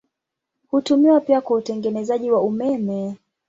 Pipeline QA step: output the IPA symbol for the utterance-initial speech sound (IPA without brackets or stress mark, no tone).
h